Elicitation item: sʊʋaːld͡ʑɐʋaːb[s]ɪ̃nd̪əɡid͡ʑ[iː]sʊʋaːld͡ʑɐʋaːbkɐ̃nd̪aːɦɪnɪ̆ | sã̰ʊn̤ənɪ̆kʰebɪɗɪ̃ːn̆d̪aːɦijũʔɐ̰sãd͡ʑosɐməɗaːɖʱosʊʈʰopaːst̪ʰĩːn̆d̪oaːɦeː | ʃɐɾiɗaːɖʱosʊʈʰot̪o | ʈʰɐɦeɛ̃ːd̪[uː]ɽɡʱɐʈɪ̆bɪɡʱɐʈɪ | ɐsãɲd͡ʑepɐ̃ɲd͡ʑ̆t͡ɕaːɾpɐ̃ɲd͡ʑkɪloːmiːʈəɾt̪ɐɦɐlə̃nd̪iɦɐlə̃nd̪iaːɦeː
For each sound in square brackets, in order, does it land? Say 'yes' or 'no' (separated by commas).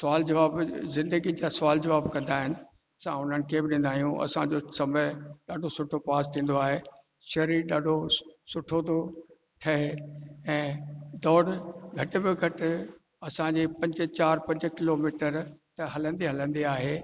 no, no, no